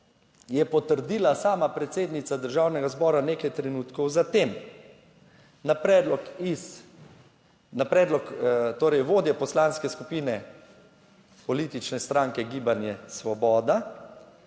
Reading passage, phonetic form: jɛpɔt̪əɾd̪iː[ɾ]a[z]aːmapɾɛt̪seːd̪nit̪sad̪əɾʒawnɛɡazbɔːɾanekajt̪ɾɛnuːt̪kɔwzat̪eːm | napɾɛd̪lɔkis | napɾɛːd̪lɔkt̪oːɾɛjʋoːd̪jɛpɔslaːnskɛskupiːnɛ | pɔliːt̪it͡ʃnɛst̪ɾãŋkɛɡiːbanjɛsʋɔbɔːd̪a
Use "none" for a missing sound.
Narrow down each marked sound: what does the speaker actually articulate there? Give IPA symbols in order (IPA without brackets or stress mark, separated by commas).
l, s